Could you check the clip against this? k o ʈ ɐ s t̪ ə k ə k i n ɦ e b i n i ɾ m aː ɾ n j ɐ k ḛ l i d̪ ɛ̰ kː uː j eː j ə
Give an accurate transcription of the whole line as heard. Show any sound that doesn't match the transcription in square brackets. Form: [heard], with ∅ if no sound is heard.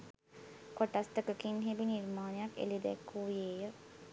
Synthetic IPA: k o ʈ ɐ s t̪ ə k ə k i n ɦ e b i n i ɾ m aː [∅] n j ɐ k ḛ l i d̪ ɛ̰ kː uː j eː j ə